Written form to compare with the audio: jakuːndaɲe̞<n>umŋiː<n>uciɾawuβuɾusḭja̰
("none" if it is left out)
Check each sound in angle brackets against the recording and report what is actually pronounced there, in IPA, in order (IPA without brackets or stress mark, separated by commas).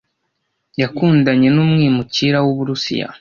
n, m